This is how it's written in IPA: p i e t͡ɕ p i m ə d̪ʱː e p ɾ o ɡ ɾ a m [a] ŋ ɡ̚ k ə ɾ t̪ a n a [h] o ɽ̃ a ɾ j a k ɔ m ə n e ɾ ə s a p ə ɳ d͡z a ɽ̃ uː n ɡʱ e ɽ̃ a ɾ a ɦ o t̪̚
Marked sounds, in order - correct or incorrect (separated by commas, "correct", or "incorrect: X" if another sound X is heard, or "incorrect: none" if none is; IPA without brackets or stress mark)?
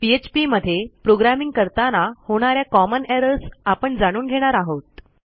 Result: incorrect: i, correct